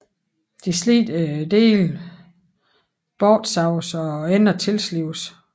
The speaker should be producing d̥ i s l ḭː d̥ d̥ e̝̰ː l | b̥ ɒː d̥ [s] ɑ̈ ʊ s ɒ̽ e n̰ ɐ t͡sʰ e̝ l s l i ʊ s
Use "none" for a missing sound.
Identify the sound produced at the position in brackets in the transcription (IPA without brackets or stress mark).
s